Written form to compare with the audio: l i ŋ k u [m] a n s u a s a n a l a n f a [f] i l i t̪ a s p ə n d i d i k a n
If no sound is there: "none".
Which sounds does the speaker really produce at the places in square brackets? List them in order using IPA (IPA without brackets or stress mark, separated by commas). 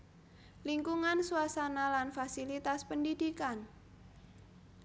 ŋ, s